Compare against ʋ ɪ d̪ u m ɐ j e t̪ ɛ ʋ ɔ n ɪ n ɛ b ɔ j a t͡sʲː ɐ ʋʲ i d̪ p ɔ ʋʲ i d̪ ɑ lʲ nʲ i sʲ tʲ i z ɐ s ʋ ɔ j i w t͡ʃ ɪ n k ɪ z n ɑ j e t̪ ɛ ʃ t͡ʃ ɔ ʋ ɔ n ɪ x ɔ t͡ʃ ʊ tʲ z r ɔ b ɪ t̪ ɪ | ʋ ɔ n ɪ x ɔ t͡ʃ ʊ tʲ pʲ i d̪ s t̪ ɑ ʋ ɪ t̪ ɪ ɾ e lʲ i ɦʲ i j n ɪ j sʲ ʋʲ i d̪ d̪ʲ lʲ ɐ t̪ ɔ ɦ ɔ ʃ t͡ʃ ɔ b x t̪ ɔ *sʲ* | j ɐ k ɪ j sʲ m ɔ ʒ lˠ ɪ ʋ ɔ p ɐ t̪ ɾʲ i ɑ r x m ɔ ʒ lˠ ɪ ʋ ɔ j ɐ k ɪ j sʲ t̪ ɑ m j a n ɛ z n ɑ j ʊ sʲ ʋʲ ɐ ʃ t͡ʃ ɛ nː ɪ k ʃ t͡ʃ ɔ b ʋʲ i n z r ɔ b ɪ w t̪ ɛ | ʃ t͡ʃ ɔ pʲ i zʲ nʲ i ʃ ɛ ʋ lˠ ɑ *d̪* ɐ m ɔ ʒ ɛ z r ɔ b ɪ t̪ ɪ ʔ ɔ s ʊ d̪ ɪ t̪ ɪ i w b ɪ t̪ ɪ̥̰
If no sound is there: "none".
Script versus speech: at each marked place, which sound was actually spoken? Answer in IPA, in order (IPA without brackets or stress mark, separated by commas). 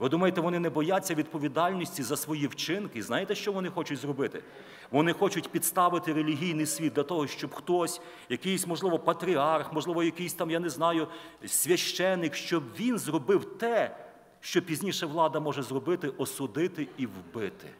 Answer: sʲ, d̪